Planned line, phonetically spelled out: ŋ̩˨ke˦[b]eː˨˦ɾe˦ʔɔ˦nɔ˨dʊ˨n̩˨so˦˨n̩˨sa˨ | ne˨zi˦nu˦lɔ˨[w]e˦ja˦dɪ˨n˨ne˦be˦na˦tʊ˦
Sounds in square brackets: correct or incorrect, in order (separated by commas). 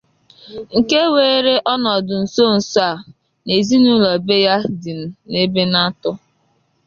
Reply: incorrect, incorrect